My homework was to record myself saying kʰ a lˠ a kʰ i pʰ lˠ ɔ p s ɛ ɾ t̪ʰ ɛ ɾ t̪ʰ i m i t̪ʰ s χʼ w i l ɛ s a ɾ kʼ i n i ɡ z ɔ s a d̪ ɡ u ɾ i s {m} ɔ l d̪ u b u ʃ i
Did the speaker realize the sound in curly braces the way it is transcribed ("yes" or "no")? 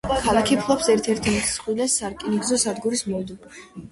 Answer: yes